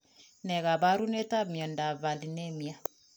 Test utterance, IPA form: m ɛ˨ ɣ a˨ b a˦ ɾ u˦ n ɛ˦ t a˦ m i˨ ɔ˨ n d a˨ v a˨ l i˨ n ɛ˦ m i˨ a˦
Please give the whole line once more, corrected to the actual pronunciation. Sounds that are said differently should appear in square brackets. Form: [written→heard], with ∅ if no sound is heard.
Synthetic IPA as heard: [m→n] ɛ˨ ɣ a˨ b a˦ ɾ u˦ n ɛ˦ t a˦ m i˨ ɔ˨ n d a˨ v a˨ l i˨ n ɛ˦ m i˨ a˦